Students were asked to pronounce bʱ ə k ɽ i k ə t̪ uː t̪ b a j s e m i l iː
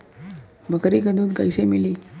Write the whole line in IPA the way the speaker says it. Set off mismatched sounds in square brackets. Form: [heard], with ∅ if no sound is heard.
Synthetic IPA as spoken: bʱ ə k [ɾ] i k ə [d̪] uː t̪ [ɡ] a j s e m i l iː

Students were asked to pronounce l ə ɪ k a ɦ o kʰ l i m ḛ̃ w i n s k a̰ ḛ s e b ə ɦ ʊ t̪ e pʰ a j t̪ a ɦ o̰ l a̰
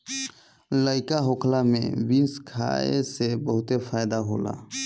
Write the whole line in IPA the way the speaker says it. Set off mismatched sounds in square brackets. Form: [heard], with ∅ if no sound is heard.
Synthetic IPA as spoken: l ə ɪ k a ɦ o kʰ l [a] m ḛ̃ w i n s [kʰ] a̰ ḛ s e b ə ɦ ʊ t̪ e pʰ a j [d̪] a ɦ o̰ l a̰

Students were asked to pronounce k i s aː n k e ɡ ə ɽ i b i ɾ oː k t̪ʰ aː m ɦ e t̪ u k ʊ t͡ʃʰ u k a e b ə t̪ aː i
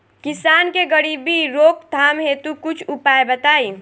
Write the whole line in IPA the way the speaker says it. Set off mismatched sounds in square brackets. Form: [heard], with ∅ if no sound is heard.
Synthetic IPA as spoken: k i s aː n k e ɡ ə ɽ i b i ɾ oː k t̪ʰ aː m ɦ e t̪ u k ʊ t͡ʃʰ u [p] a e b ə t̪ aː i

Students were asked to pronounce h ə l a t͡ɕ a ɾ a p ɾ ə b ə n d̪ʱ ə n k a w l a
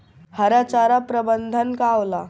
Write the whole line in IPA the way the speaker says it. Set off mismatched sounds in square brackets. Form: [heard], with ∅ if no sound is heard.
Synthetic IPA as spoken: h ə [ɾ] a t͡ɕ a ɾ a p ɾ ə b ə n d̪ʱ ə n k a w l a

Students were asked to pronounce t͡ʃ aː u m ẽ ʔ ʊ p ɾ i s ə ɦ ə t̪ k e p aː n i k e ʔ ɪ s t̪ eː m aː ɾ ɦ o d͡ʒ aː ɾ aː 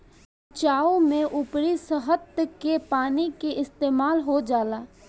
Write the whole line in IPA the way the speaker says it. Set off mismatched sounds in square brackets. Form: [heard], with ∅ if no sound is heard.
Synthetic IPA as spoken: t͡ʃ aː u m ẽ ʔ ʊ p ɾ i s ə ɦ ə t̪ k e p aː n i k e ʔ ɪ s t̪ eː m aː [l] ɦ o d͡ʒ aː [l] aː

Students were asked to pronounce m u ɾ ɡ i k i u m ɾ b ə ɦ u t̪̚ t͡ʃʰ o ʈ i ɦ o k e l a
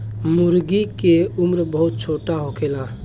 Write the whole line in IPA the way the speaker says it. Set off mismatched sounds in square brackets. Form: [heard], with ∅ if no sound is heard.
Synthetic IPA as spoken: m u ɾ ɡ i k [e] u m ɾ b ə ɦ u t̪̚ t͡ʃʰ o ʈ [a] ɦ o k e l a

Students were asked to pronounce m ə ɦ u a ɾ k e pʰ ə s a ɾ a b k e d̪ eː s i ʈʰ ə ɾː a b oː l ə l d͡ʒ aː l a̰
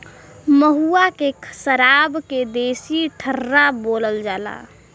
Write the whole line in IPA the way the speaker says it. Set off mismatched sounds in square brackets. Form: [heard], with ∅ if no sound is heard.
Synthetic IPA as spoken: m ə ɦ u a [∅] k e [kʰ] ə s [ə] ɾ a b k e d̪ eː s i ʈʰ ə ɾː a b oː l ə l d͡ʒ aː l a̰

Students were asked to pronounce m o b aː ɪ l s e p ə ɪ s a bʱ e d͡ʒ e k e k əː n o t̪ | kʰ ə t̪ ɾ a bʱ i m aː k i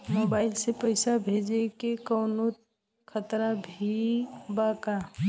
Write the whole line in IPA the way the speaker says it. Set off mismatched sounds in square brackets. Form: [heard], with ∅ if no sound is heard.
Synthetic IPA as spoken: m o b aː ɪ l s e p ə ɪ s a bʱ e d͡ʒ e k e k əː n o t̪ | kʰ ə t̪ ɾ a bʱ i [b] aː k [a]

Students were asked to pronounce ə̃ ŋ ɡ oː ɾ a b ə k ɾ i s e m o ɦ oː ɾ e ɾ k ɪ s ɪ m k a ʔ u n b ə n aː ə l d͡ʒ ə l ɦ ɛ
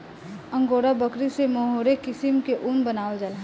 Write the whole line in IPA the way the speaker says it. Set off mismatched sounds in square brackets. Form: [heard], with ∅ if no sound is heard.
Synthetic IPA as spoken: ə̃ ŋ ɡ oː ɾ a b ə k ɾ i s e m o ɦ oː ɾ e [∅] k ɪ s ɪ m k [e] ʔ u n b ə n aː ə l d͡ʒ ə l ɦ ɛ

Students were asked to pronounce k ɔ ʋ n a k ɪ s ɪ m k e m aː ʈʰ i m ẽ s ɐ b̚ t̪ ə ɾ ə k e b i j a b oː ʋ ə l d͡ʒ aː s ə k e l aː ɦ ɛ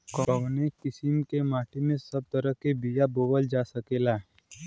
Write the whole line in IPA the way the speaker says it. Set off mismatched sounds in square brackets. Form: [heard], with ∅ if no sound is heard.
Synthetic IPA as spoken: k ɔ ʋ n [e] k ɪ s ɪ m k e m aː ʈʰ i m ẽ s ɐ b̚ t̪ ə ɾ ə k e b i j a b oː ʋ ə l d͡ʒ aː s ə k e l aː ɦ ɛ

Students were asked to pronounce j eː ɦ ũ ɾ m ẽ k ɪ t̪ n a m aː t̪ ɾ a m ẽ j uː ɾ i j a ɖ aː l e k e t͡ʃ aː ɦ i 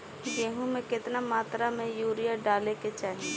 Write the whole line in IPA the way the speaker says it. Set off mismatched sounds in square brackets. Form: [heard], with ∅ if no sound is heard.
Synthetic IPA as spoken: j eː ɦ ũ [∅] m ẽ k ɪ t̪ n a m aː t̪ ɾ a m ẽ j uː ɾ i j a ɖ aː l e k e t͡ʃ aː ɦ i

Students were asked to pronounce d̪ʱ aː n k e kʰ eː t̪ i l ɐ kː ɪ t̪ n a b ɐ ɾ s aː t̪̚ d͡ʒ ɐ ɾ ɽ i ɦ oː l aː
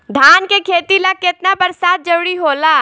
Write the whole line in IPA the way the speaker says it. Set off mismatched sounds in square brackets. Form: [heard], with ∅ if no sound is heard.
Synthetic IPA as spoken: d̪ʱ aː n k e kʰ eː t̪ i l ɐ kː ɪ t̪ n a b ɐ ɾ s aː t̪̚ d͡ʒ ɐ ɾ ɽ i ɦ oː l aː

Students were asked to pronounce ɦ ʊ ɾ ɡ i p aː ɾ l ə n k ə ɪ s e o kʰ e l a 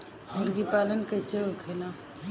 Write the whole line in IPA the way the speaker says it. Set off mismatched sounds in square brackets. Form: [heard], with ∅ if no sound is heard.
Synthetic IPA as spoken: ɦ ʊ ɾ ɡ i p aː [∅] l ə n k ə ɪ s e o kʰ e l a

